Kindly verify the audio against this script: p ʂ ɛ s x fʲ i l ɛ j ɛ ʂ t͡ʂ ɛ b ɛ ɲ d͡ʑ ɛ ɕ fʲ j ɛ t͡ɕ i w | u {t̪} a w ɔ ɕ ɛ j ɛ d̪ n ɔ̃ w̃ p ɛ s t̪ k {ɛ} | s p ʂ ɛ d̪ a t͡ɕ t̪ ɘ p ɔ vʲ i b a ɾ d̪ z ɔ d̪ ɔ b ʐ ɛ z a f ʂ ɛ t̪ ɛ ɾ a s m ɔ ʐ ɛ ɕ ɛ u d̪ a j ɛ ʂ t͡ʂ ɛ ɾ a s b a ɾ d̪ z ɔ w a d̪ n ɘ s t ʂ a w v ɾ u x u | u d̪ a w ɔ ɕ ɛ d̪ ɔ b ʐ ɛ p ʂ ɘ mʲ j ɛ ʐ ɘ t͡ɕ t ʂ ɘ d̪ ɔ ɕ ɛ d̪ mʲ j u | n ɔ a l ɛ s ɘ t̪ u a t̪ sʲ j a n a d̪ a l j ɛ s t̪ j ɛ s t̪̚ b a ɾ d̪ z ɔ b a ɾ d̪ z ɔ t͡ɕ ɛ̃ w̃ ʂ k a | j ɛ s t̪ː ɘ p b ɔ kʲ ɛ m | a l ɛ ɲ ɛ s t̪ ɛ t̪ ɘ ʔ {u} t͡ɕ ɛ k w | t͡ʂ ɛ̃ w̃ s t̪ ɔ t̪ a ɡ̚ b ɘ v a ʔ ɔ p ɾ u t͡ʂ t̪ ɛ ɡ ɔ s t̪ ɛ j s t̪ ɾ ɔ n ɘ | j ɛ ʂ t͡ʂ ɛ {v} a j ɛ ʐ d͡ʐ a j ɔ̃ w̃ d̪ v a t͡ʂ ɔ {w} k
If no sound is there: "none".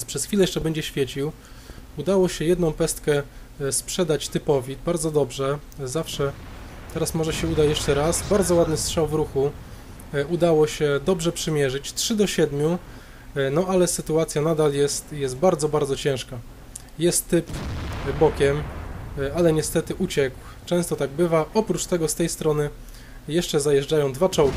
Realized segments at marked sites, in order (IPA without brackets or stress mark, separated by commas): d̪, ɛ, u, z, w